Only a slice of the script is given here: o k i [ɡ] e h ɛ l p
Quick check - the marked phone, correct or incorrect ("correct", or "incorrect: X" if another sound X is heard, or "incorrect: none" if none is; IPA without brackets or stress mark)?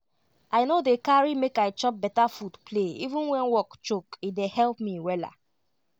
incorrect: d